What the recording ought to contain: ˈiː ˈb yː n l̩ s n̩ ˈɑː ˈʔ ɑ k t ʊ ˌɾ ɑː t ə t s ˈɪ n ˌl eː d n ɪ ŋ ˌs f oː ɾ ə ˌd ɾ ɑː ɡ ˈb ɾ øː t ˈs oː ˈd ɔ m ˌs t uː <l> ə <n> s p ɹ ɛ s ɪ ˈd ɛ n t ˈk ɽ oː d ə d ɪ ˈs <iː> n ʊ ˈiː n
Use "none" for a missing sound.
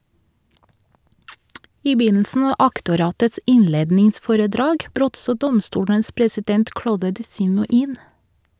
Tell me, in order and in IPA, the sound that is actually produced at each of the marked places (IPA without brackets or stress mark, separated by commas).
ɽ, n, iː